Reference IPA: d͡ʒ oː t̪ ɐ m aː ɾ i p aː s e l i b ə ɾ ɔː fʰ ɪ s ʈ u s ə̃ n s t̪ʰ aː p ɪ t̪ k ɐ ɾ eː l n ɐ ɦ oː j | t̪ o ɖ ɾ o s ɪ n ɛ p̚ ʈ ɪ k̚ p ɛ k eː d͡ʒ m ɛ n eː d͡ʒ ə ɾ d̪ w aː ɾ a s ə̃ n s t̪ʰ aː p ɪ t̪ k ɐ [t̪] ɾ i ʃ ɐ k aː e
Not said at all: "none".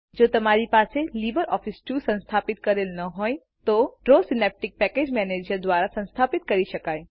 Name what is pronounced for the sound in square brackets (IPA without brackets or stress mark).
none